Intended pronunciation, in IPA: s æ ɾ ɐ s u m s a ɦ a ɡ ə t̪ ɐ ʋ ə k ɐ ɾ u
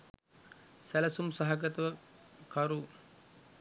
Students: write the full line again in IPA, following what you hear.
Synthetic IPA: s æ l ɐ s u m s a ɦ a ɡ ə t̪ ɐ ʋ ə k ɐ ɾ u